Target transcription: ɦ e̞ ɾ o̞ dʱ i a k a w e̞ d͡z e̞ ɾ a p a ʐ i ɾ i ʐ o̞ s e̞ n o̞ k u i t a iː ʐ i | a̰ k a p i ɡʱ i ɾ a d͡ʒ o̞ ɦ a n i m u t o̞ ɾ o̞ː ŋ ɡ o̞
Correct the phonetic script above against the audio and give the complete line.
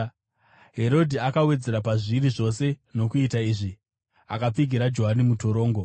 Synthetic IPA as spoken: ɦ e̞ ɾ o̞ dʱ i a k a w e̞ d͡z e̞ ɾ a p a ʐ i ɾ i ʐ o̞ s e̞ n o̞ k u i t a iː ʐ i | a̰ k a p͡f i ɡʱ i ɾ a d͡ʒ o̞ ɦ a n i m u t o̞ ɾ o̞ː ŋ ɡ o̞